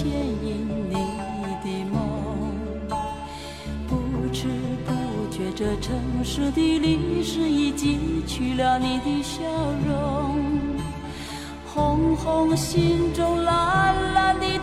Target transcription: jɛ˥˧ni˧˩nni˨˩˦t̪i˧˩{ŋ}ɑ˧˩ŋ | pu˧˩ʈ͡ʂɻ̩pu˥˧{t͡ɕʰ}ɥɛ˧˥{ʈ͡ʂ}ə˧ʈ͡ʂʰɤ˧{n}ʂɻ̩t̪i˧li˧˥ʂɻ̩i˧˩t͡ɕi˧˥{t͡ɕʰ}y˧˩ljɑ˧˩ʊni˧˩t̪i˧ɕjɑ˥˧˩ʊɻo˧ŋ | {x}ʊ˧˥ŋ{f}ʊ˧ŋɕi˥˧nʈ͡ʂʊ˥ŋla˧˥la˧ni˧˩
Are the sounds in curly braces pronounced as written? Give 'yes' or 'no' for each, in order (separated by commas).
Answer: no, no, yes, no, yes, yes, no